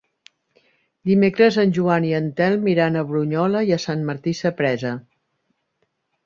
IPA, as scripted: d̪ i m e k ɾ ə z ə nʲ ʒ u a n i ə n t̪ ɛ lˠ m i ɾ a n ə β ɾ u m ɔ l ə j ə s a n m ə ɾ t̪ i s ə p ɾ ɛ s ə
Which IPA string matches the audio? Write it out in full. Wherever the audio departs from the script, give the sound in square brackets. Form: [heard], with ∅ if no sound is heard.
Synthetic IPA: d̪ i m e k ɾ ə z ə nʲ ʒ u a n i ə n t̪ ɛ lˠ m i ɾ a n ə β ɾ u [ɲ] ɔ l ə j ə s a n m ə ɾ t̪ i s ə p ɾ ɛ [z] ə